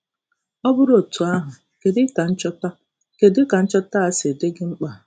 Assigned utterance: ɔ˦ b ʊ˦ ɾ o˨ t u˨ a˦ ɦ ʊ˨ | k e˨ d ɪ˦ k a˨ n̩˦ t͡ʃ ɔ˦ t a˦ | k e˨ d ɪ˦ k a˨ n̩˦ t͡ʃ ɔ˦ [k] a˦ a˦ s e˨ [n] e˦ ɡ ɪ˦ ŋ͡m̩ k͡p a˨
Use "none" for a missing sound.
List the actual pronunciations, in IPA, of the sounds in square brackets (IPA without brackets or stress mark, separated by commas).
t, d